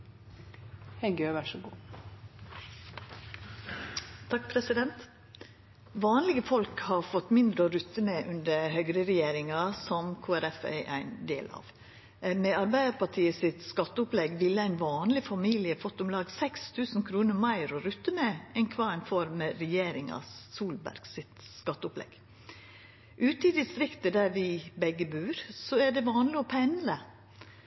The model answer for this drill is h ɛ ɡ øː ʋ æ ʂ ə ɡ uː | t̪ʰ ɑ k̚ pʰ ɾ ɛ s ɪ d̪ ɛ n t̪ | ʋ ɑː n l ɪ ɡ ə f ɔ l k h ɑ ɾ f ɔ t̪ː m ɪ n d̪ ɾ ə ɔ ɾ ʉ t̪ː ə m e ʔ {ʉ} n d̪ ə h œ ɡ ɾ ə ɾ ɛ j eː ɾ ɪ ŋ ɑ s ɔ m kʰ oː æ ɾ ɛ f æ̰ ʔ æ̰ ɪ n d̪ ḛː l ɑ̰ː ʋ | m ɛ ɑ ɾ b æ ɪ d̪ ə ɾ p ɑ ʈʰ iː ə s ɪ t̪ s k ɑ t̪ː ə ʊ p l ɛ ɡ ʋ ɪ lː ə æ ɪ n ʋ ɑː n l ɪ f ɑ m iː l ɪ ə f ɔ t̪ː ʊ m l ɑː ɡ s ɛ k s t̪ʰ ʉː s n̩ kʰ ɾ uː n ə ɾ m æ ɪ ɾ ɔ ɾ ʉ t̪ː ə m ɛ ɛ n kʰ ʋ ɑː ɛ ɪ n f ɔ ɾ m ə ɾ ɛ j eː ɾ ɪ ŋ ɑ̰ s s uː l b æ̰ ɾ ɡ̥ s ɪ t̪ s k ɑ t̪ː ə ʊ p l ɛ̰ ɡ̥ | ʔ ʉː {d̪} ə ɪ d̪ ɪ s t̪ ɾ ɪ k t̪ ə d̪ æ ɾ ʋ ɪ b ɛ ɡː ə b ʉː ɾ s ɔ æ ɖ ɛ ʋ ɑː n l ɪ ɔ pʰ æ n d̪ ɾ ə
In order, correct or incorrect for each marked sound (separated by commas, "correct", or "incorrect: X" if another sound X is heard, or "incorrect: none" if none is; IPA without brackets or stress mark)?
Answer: correct, incorrect: t̪